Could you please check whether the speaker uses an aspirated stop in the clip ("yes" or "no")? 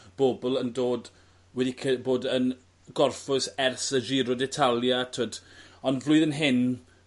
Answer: yes